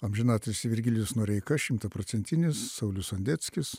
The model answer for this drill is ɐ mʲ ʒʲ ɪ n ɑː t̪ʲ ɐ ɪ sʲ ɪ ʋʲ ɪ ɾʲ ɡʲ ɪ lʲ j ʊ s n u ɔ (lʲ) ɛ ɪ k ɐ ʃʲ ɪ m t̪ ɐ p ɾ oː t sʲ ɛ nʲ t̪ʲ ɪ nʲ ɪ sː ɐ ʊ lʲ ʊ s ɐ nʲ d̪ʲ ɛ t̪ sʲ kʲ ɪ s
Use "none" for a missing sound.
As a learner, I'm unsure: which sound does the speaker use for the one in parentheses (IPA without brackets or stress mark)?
ɾʲ